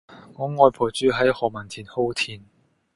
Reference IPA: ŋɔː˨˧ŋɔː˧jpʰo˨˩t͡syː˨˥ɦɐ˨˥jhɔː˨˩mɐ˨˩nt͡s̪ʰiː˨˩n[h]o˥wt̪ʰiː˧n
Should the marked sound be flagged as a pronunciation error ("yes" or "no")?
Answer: no